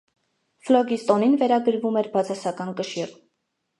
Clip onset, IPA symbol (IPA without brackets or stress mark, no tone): f